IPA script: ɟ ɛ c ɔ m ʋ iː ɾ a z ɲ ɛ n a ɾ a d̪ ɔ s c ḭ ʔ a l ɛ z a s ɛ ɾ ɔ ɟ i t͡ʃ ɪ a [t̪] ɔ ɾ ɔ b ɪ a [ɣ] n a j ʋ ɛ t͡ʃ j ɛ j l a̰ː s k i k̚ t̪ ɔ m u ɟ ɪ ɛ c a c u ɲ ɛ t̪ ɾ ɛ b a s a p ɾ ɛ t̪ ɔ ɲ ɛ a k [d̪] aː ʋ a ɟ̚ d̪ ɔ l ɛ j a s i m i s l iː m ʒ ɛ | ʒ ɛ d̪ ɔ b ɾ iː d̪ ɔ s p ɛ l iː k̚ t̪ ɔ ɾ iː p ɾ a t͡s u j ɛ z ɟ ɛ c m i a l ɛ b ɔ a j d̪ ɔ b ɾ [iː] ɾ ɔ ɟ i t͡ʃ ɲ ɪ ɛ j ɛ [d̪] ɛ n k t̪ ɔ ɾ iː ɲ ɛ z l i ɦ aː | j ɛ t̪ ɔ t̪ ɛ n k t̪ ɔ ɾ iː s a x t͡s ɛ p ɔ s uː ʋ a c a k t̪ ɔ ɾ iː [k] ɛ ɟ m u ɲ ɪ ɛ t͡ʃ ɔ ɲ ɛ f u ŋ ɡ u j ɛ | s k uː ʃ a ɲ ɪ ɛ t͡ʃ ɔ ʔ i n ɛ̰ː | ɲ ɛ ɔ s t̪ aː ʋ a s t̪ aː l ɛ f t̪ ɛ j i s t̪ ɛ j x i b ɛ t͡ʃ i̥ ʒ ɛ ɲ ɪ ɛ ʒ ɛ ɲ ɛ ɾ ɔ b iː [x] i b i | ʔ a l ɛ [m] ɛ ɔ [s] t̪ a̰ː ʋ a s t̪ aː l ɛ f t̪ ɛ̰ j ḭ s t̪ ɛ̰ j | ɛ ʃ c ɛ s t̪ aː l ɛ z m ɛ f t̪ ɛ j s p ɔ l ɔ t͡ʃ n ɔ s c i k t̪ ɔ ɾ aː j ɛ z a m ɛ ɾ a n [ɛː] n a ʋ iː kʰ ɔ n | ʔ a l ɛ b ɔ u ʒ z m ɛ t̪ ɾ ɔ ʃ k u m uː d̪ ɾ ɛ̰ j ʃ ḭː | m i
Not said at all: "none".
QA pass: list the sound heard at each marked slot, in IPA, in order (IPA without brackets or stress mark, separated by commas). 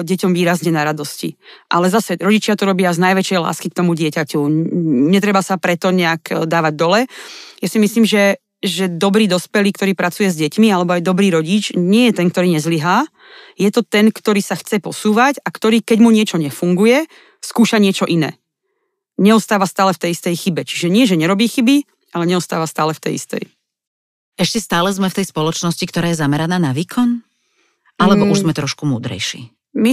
t̪, z, d̪, iː, t̪, k, x, ɲ, s, aː